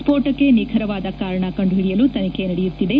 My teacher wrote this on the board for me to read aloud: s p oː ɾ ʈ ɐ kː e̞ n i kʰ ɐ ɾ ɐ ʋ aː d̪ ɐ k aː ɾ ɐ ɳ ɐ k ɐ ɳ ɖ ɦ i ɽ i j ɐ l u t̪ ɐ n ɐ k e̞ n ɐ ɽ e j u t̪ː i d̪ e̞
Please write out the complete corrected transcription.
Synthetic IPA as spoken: s p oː ɾ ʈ ɐ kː e̞ n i kʰ ɐ ɾ ɐ ʋ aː d̪ ɐ k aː ɾ ɐ ɳ ɐ k ɐ ɳ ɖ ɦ i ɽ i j ɐ l u t̪ ɐ n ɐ k e̞ n ɐ ɽ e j u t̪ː i d̪ e̞